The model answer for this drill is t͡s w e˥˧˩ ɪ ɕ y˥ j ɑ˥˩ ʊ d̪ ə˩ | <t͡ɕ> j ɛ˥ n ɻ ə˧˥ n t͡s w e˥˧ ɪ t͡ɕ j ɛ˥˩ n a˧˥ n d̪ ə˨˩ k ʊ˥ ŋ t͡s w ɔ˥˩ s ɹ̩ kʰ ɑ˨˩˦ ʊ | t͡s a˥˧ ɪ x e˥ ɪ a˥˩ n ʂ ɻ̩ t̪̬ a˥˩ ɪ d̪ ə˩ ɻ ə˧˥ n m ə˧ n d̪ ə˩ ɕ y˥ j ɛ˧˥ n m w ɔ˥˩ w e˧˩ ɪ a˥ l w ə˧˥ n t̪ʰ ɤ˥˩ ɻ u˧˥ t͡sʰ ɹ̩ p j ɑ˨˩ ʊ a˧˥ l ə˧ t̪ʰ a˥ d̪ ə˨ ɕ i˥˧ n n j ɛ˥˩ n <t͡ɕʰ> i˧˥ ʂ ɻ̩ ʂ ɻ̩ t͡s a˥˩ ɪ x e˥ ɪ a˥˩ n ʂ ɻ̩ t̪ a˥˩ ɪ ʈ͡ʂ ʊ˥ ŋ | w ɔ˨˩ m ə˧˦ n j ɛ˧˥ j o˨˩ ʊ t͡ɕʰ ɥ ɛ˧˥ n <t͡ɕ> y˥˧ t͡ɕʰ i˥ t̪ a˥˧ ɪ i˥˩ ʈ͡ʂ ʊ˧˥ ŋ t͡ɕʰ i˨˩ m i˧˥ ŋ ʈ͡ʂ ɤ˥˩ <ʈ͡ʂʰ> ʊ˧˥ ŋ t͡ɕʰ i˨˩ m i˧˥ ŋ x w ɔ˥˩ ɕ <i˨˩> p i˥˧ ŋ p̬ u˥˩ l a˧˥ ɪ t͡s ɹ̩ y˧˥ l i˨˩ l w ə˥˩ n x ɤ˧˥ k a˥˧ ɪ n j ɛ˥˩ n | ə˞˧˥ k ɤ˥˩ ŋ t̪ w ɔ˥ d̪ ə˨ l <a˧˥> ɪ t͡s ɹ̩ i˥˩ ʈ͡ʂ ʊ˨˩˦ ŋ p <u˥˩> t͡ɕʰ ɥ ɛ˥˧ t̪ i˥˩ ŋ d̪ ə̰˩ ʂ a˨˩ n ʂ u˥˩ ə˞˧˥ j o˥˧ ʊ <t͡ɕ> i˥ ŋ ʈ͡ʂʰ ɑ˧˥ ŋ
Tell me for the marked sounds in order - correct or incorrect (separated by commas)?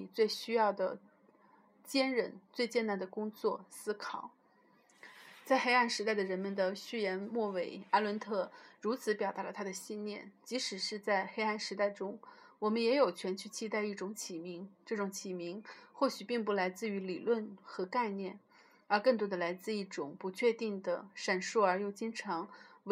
correct, incorrect, incorrect, incorrect, incorrect, correct, incorrect, correct